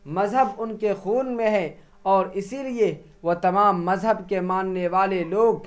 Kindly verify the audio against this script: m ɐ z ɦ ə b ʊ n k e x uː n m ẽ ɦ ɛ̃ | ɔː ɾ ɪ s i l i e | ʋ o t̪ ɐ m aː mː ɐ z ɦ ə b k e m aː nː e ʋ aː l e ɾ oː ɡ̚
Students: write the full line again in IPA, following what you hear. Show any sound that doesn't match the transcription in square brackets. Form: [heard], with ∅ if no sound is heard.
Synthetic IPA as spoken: m ɐ z ɦ ə b ʊ n k e x uː n m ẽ ɦ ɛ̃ | ɔː ɾ ɪ s i l i e | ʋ o t̪ ɐ m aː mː ɐ z ɦ ə b k e m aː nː e ʋ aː l e [l] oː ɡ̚